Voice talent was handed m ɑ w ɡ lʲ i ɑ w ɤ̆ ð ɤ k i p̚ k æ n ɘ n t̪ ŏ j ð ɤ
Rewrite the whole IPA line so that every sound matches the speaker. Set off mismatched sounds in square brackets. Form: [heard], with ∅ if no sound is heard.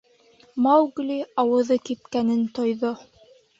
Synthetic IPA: m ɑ w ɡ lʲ i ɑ w ɤ̆ ð ɤ k i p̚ k æ n ɘ n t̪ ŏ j ð [o]